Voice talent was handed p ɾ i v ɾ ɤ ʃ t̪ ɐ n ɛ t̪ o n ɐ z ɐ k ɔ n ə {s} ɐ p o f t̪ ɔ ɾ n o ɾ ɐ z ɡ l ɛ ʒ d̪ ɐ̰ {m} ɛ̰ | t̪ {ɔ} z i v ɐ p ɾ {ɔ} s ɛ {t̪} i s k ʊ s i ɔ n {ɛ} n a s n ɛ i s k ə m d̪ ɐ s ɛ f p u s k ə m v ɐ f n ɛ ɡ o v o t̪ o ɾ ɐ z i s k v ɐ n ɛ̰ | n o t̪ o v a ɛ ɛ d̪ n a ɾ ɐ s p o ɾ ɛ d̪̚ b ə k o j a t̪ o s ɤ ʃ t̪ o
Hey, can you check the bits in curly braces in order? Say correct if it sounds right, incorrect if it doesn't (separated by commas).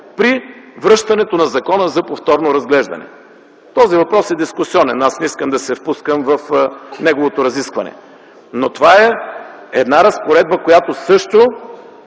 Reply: incorrect, incorrect, correct, correct, incorrect, correct